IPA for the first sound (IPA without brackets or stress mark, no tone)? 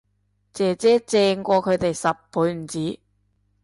t͡s